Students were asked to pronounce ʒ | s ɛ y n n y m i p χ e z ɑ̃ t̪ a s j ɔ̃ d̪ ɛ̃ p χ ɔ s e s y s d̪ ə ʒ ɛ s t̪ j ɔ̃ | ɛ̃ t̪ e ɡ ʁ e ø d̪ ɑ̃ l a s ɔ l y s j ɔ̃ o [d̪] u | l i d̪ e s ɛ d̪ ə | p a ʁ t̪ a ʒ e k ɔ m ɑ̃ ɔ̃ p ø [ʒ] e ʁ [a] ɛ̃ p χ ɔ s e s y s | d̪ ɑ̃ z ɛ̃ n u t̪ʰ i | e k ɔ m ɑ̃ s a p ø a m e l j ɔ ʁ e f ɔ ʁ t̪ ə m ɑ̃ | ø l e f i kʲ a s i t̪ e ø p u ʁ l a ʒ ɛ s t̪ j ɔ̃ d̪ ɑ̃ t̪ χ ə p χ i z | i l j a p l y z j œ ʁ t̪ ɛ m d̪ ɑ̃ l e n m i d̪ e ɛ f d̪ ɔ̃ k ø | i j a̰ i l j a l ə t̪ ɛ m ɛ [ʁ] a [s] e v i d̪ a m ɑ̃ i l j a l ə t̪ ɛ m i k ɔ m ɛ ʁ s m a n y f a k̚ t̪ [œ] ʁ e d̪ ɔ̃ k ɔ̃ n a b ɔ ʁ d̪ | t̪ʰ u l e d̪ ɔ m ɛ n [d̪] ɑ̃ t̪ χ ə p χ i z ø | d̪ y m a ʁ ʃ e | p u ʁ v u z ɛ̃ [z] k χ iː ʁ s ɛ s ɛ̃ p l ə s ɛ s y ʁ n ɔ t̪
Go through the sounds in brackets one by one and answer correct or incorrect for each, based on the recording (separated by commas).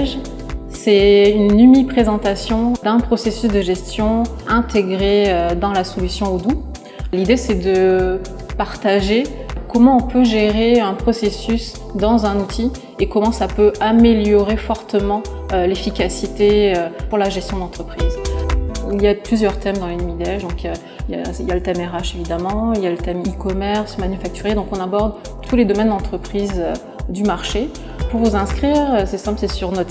correct, correct, incorrect, correct, incorrect, incorrect, correct, incorrect